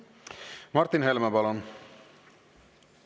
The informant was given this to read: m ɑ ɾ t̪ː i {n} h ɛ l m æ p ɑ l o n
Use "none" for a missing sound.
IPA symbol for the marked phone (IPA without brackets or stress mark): n